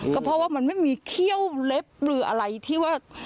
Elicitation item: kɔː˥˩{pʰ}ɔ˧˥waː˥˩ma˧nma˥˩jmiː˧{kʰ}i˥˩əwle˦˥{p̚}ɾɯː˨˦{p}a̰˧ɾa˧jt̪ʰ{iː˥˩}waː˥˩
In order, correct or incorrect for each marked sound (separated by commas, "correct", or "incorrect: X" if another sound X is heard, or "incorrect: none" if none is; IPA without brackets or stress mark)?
correct, correct, correct, incorrect: ʔ, correct